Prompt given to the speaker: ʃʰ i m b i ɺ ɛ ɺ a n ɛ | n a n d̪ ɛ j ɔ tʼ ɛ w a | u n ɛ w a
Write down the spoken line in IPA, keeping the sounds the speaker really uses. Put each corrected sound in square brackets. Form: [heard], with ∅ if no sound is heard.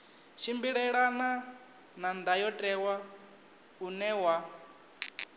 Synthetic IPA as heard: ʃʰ i m b i ɺ ɛ ɺ a n [a] | n a n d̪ [a] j ɔ tʼ ɛ w a | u n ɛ w a

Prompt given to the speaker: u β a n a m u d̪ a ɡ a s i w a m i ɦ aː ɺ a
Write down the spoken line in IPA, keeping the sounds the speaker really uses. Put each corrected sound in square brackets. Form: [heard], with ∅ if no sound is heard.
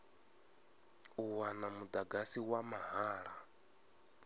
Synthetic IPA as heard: u [w] a n a m u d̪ a ɡ a s i w a m [a] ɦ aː ɺ a

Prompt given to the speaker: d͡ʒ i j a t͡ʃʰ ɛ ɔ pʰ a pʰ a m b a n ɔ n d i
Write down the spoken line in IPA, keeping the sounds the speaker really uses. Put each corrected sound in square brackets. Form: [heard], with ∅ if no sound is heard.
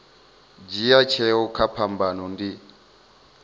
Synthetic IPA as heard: d͡ʒ i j a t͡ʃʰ ɛ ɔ [kʰ] a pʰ a m b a n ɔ n d i

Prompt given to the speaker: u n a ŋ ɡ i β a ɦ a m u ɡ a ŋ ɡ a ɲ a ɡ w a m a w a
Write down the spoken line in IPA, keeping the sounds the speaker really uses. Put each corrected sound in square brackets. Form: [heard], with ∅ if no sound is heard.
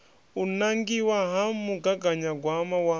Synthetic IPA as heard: u n a ŋ ɡ i [w] a ɦ a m u ɡ a [∅] ɡ a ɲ a ɡ w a m a w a

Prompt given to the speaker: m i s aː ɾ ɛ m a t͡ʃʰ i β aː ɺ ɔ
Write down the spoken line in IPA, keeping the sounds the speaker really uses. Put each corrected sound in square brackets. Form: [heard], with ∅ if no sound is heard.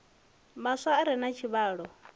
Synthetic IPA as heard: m [a] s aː ɾ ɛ [n] a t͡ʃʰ i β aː ɺ ɔ

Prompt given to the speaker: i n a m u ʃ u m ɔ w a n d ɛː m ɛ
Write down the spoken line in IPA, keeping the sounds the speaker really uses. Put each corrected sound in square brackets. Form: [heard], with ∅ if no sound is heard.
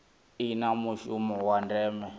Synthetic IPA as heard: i n a m u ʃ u m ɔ w a n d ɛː m ɛ

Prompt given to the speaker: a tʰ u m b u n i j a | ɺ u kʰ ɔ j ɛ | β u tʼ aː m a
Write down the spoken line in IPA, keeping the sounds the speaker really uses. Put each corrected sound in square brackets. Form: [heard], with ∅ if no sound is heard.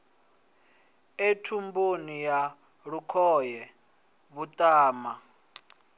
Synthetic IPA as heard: [e] tʰ u m b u n i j a | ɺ u kʰ ɔ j ɛ | β u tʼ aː m a

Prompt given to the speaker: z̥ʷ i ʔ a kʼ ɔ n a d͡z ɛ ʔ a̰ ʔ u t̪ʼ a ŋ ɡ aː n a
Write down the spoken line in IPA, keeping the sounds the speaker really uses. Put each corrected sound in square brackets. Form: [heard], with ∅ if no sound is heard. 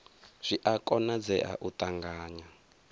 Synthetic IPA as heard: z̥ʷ i ʔ a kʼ ɔ n a d͡z ɛ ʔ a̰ ʔ u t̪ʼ a ŋ ɡ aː [ɲ] a

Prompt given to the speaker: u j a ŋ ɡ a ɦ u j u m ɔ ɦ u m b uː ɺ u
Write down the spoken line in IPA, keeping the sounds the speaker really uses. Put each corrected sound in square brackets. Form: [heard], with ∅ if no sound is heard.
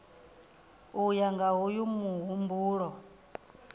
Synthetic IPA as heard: u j a ŋ ɡ a ɦ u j u m [u] ɦ u m b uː ɺ [ɔ]

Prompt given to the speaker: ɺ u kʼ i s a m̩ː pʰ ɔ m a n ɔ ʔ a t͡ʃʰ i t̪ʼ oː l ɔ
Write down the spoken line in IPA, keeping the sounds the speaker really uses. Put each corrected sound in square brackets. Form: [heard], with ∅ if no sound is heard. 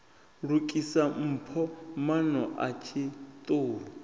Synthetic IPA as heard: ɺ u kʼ i s a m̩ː pʰ ɔ m a n ɔ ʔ a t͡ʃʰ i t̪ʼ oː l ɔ

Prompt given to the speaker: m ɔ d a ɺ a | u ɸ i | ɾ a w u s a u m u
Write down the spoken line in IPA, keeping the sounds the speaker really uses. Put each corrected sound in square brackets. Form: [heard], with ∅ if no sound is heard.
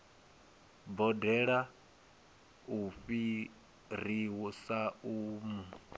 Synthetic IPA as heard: [b] ɔ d [ɛ] ɺ a | u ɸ i | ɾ [i] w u s a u m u

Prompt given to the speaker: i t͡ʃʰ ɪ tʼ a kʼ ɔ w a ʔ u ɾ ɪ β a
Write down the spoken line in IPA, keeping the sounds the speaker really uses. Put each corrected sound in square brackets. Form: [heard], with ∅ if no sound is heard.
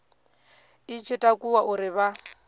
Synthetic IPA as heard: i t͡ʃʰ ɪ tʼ a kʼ [u] w a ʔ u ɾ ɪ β a

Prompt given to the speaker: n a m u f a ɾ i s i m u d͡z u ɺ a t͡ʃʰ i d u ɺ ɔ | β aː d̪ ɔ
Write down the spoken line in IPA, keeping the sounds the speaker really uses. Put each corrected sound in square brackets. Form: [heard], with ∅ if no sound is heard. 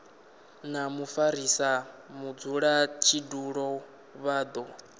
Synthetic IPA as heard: n a m u f a ɾ i s [a] m u d͡z u ɺ a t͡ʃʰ i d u ɺ ɔ | β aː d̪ ɔ

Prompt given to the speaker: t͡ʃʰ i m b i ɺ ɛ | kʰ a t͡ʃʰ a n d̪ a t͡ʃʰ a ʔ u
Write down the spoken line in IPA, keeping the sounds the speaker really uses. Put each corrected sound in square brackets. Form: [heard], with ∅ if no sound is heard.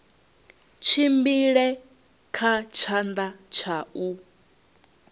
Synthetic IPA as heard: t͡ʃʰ i m b i ɺ ɛ | kʰ a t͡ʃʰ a n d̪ a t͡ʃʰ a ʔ u

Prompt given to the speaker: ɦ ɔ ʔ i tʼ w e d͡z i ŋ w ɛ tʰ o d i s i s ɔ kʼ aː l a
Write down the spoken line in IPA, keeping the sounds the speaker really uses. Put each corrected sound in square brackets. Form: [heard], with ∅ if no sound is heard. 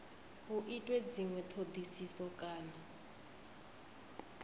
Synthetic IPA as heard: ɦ [u] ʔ i tʼ w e d͡z i ŋ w ɛ tʰ o d i s i s ɔ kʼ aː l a

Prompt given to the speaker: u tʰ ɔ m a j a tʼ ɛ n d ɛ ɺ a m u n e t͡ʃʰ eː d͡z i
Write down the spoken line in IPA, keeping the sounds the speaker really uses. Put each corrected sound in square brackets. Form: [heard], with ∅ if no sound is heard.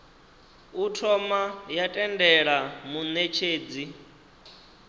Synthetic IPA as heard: u tʰ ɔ m a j a tʼ ɛ n d ɛ ɺ a m u n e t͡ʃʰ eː d͡z i

